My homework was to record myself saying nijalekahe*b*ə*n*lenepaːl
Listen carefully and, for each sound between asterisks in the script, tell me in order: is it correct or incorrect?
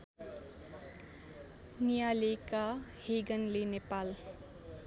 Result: incorrect: ɡ, correct

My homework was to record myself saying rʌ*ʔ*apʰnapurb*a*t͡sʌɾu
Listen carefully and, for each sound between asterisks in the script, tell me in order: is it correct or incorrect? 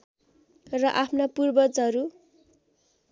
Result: correct, incorrect: ʌ

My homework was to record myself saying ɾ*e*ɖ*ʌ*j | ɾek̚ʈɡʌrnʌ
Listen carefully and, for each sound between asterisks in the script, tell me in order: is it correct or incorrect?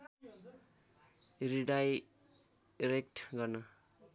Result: incorrect: i, incorrect: a

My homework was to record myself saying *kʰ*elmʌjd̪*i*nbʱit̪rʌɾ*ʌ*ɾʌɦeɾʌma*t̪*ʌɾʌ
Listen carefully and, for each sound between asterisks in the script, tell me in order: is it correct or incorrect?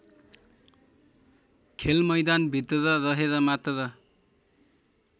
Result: correct, incorrect: a, correct, correct

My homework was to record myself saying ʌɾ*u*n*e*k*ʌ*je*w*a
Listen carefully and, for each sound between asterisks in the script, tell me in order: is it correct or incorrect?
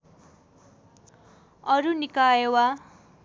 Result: correct, incorrect: i, incorrect: a, correct

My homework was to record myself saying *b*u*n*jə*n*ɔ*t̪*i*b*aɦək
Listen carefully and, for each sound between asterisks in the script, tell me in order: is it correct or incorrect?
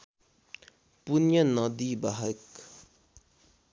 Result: incorrect: p, correct, correct, incorrect: d̪, correct

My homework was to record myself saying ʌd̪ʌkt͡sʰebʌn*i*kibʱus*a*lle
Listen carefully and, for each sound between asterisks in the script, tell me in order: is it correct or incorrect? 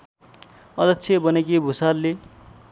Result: incorrect: e, correct

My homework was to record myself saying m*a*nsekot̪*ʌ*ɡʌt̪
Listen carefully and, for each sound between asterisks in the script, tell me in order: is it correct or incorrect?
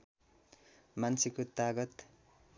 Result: correct, incorrect: a

